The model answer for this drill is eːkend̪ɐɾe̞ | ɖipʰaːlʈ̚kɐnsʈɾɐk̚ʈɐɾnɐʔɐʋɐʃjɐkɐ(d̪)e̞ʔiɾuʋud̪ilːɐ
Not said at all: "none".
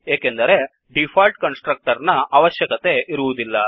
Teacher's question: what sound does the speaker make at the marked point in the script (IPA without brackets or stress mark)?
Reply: t̪